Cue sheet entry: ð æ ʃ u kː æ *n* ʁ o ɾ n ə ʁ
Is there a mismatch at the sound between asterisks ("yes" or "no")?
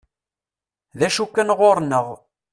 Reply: no